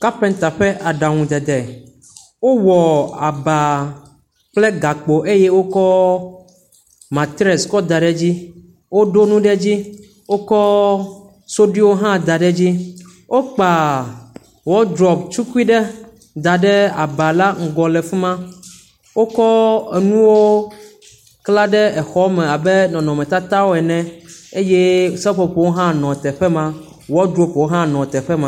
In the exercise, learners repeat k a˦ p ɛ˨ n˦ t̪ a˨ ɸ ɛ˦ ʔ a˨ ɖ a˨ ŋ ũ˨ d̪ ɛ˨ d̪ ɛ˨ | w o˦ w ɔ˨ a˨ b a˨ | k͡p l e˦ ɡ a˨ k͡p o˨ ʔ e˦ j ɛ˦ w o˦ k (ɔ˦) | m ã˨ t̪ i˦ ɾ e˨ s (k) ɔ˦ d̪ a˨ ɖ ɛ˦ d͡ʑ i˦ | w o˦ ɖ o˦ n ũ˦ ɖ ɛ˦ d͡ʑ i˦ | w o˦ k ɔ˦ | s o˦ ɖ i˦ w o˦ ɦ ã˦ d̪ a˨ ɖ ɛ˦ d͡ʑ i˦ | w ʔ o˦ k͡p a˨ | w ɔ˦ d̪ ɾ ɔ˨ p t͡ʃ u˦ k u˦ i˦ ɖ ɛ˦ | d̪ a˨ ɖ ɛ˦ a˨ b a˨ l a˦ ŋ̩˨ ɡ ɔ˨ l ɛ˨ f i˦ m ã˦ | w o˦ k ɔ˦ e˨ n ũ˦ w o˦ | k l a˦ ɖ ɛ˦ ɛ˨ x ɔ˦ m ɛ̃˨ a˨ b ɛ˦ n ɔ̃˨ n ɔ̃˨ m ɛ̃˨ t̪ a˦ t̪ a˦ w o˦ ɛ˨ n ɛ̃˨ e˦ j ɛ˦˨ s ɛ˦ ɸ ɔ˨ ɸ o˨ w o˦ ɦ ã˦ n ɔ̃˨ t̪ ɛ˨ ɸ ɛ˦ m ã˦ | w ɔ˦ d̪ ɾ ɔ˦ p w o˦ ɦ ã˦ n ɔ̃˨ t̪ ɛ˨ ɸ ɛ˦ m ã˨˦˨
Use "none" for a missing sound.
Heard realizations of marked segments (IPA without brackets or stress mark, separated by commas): ɔ˦, k